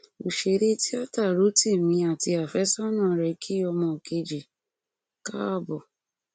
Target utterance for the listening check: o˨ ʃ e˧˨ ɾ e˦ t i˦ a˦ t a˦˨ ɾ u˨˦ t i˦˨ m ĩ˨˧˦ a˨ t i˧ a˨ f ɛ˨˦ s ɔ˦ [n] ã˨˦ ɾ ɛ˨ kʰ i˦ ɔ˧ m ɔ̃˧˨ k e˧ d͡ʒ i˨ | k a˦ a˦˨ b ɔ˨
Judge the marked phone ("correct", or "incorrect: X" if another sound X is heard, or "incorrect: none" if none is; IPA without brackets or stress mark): correct